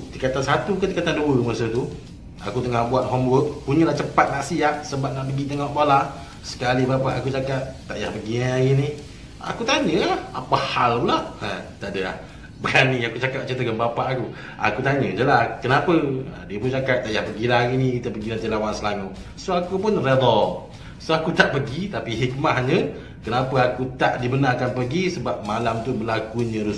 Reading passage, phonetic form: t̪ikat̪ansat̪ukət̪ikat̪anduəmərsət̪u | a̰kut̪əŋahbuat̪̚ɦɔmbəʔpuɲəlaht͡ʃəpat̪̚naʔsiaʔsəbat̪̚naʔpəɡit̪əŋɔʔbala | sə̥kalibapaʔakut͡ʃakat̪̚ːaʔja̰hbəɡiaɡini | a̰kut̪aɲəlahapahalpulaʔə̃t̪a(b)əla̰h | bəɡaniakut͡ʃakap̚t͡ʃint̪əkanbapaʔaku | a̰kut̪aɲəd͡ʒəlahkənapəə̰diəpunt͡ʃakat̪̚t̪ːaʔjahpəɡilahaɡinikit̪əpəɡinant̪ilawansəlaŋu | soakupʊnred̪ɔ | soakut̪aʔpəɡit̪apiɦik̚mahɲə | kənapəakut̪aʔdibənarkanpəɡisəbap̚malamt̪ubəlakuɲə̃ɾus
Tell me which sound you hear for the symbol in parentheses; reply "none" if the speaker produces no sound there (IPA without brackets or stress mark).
d